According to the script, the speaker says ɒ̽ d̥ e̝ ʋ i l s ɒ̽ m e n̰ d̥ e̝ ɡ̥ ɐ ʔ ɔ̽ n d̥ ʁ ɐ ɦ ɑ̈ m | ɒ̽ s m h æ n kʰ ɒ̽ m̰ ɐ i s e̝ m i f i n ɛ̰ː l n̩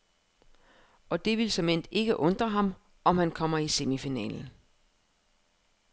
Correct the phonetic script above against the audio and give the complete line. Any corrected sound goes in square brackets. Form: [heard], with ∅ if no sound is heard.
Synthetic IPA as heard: ɒ̽ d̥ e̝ ʋ i l s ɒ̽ m e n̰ d̥ e̝ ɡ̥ [ə] ʔ ɔ̽ n d̥ ʁ ɐ ɦ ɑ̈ m | ɒ̽ [∅] m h æ n kʰ ɒ̽ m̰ ɐ i s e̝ m i f i n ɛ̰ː l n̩